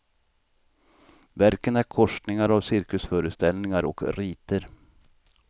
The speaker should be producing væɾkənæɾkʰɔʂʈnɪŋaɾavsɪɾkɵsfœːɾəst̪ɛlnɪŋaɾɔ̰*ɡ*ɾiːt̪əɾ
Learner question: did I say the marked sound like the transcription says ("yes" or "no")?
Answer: no